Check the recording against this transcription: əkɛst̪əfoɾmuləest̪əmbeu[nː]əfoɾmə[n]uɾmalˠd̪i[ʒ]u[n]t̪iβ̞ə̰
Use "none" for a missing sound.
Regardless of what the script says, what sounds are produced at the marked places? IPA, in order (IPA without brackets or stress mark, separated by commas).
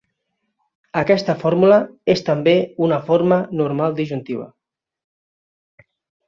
n, n, ʒ, n